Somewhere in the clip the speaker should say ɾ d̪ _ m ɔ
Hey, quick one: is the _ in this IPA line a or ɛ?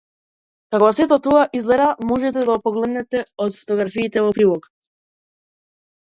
a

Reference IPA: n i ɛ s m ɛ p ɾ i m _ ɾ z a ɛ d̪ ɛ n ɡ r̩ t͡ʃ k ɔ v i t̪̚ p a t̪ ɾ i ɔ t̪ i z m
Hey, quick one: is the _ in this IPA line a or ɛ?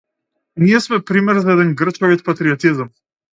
ɛ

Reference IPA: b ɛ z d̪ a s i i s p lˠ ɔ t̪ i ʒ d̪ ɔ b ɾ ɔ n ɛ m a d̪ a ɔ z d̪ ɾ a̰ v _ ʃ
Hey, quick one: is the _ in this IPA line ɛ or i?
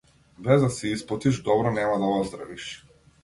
i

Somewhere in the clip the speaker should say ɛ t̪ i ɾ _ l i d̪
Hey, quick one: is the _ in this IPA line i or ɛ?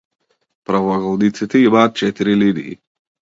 i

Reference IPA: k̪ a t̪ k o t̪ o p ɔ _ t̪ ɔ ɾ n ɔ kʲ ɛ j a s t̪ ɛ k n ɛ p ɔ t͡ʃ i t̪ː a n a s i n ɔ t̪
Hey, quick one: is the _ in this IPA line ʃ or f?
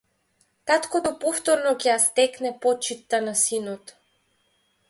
f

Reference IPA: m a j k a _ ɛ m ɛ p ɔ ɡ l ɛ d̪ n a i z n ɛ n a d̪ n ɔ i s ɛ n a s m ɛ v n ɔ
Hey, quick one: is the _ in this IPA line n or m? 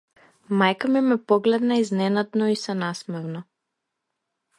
m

